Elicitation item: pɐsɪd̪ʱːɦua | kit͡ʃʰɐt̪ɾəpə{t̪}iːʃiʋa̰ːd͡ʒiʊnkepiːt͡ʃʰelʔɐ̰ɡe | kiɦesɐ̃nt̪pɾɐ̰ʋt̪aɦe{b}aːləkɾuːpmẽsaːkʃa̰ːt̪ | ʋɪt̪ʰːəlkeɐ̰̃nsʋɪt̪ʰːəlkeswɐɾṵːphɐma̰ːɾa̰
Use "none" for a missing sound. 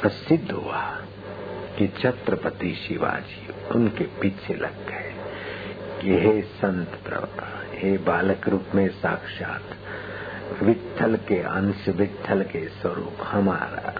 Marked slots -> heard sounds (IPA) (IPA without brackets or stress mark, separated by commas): t̪, b